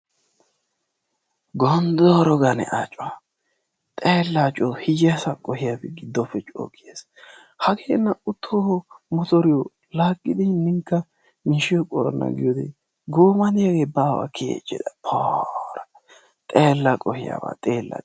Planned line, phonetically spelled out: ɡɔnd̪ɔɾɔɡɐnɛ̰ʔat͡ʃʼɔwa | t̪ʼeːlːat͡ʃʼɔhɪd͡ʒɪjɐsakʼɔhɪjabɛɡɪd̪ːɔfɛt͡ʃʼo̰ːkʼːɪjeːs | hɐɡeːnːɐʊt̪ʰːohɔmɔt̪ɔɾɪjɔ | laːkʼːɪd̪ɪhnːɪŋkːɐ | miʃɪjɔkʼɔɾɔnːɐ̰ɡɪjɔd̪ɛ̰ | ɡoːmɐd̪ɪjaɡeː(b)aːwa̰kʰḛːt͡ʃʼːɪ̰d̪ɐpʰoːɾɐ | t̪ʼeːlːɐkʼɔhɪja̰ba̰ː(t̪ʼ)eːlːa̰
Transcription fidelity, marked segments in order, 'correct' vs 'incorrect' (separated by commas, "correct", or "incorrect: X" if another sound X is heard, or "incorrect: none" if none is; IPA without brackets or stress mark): correct, correct